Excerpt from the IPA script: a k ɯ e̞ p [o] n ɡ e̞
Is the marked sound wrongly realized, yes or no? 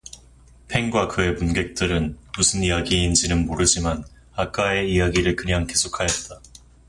yes